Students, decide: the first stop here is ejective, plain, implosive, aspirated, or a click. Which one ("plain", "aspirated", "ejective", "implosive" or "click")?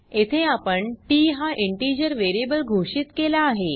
aspirated